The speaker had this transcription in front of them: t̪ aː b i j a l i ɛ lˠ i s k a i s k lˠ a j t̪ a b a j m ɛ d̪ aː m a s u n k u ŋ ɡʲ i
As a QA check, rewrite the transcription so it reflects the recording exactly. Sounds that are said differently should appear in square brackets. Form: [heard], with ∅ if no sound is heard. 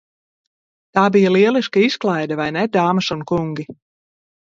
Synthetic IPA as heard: t̪ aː b i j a l i ɛ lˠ i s k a i s k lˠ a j [d̪] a [v] a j [n] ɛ d̪ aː m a s u n k u ŋ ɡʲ i